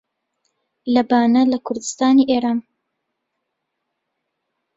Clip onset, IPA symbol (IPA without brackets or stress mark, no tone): l